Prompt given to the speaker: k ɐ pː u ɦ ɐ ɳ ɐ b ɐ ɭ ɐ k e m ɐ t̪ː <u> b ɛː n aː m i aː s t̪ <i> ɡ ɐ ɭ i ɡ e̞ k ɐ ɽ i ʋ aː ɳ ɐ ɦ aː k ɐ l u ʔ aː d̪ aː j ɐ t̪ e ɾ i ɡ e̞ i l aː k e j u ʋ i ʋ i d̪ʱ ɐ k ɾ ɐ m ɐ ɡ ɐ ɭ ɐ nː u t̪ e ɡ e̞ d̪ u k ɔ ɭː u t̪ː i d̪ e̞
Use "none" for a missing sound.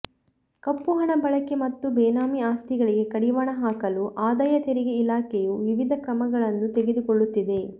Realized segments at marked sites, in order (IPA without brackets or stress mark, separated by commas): u, i